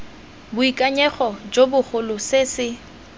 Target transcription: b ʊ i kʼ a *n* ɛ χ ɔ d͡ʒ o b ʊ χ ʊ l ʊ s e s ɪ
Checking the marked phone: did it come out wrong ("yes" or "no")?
yes